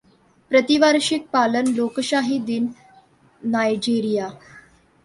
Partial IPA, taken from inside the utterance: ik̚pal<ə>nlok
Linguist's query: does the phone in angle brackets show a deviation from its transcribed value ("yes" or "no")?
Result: no